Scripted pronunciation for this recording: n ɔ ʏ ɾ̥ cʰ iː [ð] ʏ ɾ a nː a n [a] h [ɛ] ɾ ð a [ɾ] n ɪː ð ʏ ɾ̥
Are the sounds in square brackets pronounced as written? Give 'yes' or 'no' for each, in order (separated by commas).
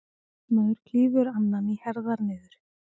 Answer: no, no, yes, yes